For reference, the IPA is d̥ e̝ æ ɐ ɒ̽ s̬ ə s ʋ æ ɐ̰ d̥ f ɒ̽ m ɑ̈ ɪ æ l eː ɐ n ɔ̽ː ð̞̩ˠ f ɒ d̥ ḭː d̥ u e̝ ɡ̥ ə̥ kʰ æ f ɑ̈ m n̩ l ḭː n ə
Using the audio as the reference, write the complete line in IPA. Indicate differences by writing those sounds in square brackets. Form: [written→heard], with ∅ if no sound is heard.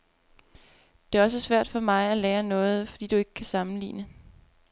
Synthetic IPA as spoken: d̥ e̝ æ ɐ ɒ̽ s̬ ə s ʋ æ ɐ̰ d̥ f ɒ̽ m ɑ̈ ɪ æ l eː ɐ n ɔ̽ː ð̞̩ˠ f ɒ d̥ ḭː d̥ u e̝ ɡ̥ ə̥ kʰ æ [f→s] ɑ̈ m n̩ l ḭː n ə